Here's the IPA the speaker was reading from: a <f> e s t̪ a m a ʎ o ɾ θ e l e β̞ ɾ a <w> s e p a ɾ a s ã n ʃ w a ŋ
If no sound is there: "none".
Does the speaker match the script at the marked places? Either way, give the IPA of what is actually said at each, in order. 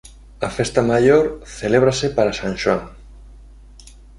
f, none

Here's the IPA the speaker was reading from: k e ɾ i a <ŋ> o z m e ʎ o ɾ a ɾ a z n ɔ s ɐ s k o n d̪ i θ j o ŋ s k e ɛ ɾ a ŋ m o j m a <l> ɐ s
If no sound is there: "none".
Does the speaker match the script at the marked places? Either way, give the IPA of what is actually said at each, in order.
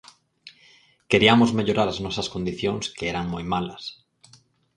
m, l

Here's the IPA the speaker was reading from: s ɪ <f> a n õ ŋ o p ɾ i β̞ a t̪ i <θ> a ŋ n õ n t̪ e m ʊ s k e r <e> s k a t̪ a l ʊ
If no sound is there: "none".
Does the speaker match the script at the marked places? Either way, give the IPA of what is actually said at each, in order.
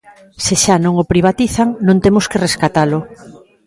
ʃ, θ, e

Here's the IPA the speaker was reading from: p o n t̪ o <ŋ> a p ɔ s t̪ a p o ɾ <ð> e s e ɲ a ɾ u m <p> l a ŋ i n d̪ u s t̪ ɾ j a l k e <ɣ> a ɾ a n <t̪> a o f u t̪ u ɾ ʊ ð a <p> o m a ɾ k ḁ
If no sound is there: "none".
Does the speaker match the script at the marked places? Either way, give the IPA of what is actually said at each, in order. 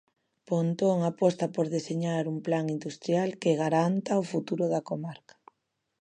ŋ, ð, p, ɣ, t̪, k

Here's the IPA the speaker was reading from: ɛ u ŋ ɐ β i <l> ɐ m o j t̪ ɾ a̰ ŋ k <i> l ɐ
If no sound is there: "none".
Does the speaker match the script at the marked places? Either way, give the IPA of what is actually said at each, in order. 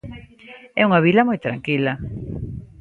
l, i

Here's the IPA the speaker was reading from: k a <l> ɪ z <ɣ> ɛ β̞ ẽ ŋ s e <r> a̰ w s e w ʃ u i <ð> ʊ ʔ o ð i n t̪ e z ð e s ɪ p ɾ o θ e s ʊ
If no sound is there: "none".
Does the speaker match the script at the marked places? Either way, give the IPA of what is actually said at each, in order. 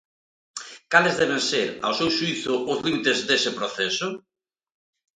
l, ð, ɾ, θ

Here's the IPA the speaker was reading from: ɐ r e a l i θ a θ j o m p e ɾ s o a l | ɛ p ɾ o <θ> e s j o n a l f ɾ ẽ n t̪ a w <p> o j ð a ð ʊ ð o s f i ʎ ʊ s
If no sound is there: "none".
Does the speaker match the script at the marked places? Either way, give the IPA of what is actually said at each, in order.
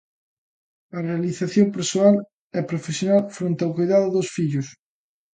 f, k

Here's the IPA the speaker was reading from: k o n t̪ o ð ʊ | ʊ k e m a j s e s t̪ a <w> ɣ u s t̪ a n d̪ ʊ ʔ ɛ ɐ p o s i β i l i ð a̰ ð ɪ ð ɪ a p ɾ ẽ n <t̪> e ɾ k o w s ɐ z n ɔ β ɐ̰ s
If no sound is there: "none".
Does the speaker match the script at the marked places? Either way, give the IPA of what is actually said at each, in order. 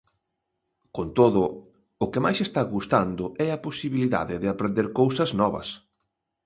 none, d̪

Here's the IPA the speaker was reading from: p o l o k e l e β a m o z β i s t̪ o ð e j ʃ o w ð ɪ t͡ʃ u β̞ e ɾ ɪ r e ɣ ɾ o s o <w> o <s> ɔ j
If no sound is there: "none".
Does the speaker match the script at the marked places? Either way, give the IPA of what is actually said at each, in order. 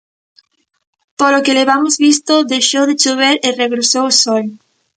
w, s

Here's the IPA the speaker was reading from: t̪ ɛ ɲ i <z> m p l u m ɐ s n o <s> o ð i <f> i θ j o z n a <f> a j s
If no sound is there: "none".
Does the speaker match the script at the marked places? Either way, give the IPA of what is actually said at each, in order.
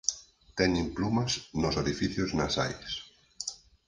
none, s, f, s

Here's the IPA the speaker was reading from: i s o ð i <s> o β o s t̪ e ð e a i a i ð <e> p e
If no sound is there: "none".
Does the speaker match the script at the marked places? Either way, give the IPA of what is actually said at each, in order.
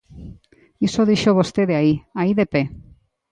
ʃ, e

